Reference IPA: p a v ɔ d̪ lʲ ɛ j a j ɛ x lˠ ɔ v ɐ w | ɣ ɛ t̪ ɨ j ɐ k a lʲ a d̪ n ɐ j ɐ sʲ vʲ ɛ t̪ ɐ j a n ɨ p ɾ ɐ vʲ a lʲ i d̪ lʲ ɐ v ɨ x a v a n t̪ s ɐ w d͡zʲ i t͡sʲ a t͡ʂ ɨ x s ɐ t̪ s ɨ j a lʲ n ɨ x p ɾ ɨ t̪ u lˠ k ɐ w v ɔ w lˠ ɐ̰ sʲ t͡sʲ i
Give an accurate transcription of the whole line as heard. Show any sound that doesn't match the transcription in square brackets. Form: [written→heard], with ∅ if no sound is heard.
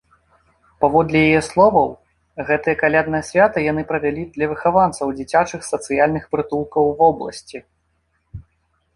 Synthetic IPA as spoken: p a v ɔ d̪ lʲ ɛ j a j ɛ [x→s] lˠ ɔ v ɐ w | ɣ ɛ t̪ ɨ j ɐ k a lʲ a d̪ n ɐ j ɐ sʲ vʲ [ɛ→a] t̪ ɐ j a n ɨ p ɾ ɐ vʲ a lʲ i d̪ lʲ ɐ v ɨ x a v a n t̪ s ɐ w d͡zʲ i t͡sʲ a t͡ʂ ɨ x s ɐ t̪ s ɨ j a lʲ n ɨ x p ɾ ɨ t̪ u lˠ k ɐ w v ɔ [w→b] lˠ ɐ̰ sʲ t͡sʲ i